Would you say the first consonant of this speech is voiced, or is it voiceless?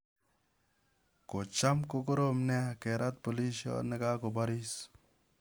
voiceless